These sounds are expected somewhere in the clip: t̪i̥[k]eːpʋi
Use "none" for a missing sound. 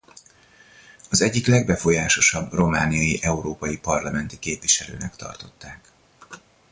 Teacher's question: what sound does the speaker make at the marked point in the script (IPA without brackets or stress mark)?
k